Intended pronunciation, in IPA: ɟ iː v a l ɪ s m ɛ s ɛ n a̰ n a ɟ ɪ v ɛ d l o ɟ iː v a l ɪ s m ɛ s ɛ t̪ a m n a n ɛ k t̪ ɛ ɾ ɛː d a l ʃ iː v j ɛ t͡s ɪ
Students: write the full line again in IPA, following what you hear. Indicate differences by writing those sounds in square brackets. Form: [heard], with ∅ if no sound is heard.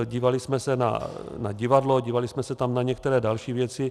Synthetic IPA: ɟ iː v a l ɪ s m ɛ s ɛ n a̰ n a ɟ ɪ v [a] d l o ɟ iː v a l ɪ s m ɛ s ɛ t̪ a m n a [ɲ] ɛ k t̪ ɛ ɾ ɛː d a l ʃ iː v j ɛ t͡s ɪ